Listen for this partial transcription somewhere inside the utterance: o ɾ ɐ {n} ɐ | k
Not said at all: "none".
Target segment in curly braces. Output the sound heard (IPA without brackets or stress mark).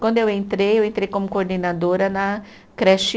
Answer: n